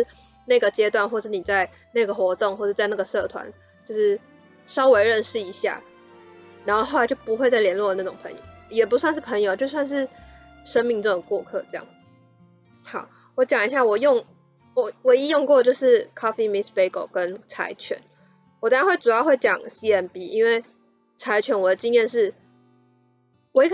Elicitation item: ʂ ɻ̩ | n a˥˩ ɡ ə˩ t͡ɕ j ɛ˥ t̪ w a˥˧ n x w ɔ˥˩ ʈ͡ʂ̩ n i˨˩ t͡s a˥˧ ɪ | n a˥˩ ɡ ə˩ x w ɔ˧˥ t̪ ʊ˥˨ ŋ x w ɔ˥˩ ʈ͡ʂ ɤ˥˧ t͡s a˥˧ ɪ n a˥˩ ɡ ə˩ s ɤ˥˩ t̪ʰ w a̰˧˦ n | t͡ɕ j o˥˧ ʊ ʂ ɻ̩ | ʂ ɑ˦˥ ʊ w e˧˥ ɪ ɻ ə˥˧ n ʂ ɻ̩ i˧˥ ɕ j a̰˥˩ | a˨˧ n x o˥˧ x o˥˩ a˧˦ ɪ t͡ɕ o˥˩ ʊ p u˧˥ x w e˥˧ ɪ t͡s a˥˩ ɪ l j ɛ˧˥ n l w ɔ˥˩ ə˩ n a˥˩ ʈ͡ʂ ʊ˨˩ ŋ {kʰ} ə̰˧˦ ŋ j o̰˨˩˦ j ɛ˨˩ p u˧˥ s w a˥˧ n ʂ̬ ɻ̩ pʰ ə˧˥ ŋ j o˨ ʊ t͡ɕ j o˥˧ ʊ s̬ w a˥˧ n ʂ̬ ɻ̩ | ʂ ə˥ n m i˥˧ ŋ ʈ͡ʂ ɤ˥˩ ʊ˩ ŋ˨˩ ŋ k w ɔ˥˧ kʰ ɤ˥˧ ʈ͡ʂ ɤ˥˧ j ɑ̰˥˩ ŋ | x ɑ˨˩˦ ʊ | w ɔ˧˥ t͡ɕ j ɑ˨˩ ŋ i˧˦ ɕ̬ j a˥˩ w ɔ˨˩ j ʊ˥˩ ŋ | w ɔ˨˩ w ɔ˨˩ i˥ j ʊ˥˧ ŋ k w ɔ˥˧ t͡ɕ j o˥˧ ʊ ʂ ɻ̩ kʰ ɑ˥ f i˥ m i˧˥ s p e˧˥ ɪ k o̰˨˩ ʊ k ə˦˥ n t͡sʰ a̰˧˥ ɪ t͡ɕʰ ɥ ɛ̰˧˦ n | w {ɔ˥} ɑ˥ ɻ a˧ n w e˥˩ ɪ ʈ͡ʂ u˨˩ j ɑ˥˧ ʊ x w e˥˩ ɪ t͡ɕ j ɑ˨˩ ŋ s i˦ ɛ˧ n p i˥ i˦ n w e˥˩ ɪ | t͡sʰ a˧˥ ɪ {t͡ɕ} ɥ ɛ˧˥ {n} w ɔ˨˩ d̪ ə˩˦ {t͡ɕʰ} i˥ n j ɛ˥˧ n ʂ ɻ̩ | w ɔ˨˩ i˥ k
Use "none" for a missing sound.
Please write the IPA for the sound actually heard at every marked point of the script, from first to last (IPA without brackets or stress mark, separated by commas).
pʰ, ɔ˨˩, t͡ɕʰ, n, t͡ɕ